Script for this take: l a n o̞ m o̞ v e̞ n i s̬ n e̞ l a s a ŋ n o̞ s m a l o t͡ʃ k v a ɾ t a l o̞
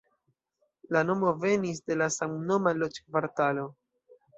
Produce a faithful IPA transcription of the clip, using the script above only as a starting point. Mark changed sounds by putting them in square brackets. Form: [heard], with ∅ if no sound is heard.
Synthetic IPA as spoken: l a n o̞ m o̞ v e̞ n i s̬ [d] e̞ l a s a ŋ n o̞ [∅] m a l o t͡ʃ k v a ɾ t a l o̞